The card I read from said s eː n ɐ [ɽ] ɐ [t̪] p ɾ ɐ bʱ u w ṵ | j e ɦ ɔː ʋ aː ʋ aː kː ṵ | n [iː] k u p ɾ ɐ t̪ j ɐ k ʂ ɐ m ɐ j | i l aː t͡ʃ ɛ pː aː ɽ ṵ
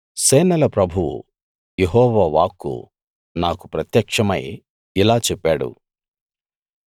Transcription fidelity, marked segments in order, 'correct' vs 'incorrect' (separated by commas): incorrect, incorrect, incorrect